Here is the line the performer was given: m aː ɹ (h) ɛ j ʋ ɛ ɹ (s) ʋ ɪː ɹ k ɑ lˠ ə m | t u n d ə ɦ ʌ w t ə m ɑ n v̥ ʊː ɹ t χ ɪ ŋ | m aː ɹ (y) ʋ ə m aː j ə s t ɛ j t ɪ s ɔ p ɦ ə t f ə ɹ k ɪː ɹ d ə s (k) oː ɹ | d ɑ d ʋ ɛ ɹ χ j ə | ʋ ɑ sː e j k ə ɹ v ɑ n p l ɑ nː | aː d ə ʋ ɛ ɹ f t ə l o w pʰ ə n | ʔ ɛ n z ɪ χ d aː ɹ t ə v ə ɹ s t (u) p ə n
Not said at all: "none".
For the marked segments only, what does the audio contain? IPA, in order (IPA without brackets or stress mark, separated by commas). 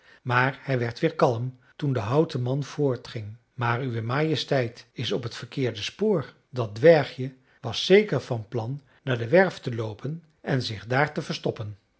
h, t, y, p, ɔ